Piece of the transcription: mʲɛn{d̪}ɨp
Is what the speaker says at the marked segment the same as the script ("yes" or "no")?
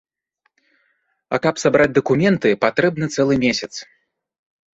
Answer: no